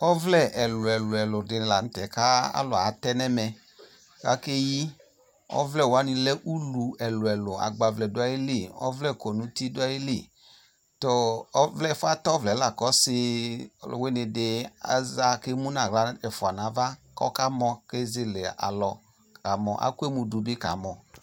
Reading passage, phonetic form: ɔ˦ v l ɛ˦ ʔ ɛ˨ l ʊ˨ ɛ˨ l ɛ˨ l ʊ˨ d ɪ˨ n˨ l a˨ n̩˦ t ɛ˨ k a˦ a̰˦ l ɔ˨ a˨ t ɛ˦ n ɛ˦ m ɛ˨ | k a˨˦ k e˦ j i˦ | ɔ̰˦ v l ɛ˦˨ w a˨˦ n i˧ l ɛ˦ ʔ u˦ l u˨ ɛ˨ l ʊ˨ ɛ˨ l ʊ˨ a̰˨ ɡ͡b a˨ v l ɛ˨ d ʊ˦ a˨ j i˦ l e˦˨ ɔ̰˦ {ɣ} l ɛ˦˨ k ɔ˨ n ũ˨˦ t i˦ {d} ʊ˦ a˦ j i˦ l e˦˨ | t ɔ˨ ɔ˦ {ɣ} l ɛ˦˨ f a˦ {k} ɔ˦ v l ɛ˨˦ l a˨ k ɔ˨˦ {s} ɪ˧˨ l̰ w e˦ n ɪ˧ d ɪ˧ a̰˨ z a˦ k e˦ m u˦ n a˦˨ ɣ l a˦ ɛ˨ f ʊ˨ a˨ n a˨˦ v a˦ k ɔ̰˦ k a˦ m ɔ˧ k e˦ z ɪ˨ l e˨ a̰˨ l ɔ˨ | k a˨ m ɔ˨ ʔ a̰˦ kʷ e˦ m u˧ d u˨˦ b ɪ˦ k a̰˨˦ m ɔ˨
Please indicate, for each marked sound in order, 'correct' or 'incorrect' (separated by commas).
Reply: incorrect, correct, incorrect, incorrect, correct